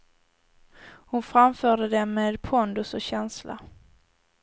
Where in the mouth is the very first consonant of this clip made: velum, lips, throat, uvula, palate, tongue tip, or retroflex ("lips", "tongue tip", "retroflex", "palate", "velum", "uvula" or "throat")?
throat